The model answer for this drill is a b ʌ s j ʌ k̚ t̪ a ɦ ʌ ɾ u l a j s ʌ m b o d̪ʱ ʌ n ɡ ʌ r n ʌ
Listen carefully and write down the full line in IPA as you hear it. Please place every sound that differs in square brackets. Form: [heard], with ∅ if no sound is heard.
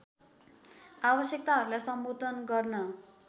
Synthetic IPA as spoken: a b ʌ s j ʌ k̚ t̪ a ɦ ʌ ɾ u l a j s ʌ m b o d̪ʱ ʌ n ɡ ʌ r n ʌ